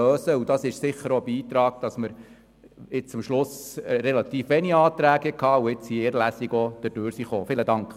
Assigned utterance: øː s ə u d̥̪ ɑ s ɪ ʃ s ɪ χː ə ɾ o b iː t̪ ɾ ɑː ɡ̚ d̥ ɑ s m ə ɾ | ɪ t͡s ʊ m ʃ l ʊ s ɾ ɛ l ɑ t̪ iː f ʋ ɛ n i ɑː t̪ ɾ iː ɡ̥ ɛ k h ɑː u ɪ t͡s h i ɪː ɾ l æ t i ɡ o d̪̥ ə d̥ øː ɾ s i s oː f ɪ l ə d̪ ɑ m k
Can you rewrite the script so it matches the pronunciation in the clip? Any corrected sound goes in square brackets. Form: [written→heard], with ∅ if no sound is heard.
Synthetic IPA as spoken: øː s ə u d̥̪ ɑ s ɪ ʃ s ɪ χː ə ɾ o b iː t̪ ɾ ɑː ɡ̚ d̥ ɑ s m ə ɾ | ɪ t͡s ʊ m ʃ l ʊ s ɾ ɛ l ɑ t̪ iː f ʋ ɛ n i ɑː t̪ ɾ [iː→æː] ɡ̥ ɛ k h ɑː u ɪ t͡s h i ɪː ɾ l æ [t→s] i ɡ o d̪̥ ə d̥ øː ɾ s i [s→χ] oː f ɪ l ə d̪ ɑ [m→ŋ] k